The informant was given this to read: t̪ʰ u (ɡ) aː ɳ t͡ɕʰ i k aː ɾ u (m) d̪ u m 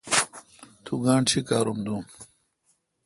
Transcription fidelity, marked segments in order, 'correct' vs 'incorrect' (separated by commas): correct, correct